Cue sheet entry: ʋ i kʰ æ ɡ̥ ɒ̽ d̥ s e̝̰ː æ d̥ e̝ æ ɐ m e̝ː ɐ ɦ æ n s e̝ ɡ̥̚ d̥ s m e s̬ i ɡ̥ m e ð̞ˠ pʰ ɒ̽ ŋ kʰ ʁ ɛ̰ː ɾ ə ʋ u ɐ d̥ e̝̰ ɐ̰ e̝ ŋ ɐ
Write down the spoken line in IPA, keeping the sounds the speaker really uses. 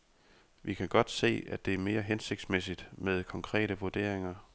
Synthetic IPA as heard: ʋ i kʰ æ ɡ̥ ɒ̽ d̥ s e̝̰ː æ d̥ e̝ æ ɐ m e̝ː ɐ ɦ e n s e̝ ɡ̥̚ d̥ s m e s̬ i d̥ m e ð̞ˠ kʰ ɒ̽ ŋ kʰ ʁ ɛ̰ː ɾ ə ʋ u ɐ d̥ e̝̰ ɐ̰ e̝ ŋ ɐ

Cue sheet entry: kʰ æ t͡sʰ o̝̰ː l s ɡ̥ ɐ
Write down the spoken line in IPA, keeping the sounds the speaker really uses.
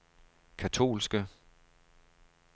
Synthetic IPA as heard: kʰ æ t͡sʰ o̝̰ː l s ɡ̥ ə

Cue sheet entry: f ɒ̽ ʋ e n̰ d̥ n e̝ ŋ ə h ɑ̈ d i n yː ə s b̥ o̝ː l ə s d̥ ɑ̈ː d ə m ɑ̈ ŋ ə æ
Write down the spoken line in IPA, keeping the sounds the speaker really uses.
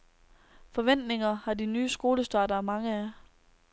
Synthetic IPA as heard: f ɒ̽ ʋ e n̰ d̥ n e̝ ŋ ɐ h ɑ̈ d i n yː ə s ɡ̥ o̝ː l ə s d̥ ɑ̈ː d ɐ m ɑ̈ ŋ ə æ

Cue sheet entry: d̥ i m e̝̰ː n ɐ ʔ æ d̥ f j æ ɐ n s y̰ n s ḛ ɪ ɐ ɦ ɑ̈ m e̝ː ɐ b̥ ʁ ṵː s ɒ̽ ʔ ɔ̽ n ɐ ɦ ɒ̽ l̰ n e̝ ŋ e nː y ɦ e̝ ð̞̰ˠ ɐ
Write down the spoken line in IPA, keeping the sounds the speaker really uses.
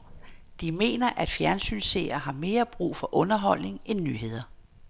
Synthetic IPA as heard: d̥ i m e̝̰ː n ɐ ʔ æ d̥ f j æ ɐ n s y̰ n s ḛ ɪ ɐ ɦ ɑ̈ m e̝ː ɐ b̥ ʁ ṵː f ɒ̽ ʔ ɔ̽ n ɐ ɦ ɒ̽ l̰ n e̝ ŋ e nː y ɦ e̝ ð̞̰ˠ ɐ

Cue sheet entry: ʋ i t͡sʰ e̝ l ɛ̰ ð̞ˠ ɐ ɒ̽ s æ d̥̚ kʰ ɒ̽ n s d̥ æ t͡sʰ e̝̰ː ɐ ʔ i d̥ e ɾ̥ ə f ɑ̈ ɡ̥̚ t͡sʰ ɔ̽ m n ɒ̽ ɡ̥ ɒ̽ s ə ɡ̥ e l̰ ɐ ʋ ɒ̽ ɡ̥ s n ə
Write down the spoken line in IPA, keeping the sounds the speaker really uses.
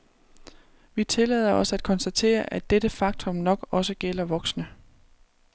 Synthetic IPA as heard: ʋ i t͡sʰ e̝ l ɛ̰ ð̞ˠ ɐ ɒ̽ s æ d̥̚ kʰ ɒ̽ n s d̥ æ t͡sʰ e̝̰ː ɐ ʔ æ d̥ e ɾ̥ ə f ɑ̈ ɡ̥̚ t͡sʰ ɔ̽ m n ɒ̽ ɡ̥ ɒ̽ s ə ɡ̥ e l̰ ɐ ʋ ɒ̽ ɡ̥ s n ə

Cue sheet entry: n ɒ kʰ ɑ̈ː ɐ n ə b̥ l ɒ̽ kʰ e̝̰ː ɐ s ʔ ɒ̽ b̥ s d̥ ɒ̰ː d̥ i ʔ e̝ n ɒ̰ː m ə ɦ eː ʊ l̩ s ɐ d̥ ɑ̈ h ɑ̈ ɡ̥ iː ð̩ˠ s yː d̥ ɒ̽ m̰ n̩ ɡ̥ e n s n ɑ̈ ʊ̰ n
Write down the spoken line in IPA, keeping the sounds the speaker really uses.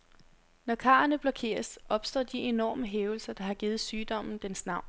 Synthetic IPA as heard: n ɒ kʰ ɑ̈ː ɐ n ə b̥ l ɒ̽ kʰ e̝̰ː ɐ s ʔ ɒ̽ b̥ s d̥ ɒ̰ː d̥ i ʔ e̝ n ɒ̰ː m ə ɦ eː ʊ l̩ s ɐ d̥ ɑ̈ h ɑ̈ ɡ̥ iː ð̩ˠ s yː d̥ ɒ̽ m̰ n̩ d̥ e n s n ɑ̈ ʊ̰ n

